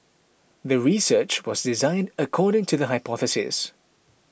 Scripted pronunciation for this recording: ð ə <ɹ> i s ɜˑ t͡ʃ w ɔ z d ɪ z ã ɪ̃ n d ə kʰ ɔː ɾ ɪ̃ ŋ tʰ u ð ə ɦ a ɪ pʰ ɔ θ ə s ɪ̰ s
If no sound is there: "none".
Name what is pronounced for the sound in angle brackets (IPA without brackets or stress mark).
ɹ